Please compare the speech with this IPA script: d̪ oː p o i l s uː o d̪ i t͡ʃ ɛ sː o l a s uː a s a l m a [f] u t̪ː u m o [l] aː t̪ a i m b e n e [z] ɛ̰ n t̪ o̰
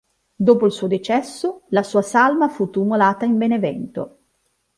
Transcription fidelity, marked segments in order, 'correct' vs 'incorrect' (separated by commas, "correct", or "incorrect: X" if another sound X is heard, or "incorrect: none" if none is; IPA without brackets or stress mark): correct, correct, incorrect: v